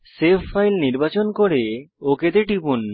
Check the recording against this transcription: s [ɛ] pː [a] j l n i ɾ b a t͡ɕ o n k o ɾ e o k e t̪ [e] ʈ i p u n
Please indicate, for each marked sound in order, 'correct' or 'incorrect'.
incorrect: e, correct, correct

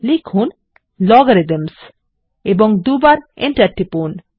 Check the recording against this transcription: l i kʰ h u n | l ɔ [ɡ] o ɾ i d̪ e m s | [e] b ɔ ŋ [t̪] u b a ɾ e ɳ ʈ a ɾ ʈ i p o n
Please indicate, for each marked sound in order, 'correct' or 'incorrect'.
correct, correct, incorrect: d̪

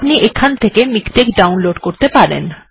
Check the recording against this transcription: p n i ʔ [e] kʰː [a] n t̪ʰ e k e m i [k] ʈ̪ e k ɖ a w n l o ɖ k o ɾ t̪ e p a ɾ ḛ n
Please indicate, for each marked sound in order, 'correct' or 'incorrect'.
correct, correct, correct

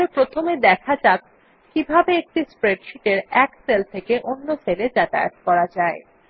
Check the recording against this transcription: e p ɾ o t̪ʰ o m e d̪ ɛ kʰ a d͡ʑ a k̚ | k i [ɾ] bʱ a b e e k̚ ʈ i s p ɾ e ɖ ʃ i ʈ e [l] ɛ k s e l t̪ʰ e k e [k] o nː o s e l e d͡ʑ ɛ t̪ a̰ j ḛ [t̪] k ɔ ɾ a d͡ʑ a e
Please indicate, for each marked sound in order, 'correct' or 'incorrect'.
incorrect: none, incorrect: ɾ, incorrect: ʔ, correct

